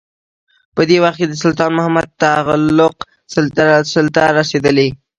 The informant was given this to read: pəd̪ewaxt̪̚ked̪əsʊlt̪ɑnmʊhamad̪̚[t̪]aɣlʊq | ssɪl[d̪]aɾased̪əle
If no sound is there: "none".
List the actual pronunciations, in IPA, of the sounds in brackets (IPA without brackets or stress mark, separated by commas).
t̪, t̪